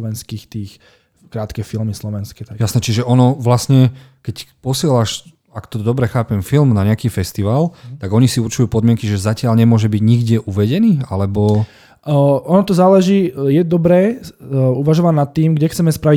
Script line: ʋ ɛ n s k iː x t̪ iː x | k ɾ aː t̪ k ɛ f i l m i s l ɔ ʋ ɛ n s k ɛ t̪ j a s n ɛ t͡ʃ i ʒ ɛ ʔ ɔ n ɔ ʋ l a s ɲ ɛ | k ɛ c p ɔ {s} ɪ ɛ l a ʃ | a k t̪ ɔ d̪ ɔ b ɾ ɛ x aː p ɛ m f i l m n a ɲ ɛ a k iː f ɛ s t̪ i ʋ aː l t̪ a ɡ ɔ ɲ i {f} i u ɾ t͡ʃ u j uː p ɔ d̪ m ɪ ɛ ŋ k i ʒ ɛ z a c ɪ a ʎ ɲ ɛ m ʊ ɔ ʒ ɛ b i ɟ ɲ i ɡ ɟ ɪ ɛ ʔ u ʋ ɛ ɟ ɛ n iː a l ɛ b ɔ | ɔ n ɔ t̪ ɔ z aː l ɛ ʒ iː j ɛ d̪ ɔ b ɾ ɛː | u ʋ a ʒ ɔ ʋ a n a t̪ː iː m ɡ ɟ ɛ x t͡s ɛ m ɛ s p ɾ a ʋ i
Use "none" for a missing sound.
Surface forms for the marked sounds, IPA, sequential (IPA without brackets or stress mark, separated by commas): s, s